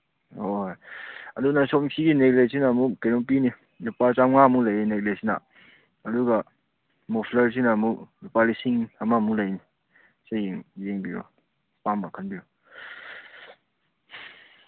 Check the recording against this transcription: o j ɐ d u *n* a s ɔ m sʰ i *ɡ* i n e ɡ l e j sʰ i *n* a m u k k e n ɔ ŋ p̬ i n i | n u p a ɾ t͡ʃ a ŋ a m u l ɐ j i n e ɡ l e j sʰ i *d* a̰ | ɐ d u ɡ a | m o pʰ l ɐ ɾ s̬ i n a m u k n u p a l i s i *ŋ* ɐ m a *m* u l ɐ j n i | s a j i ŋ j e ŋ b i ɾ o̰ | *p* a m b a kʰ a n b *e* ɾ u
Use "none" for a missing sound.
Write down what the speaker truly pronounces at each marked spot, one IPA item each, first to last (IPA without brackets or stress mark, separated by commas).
n, ɡ, n, n, ŋ, m, p, i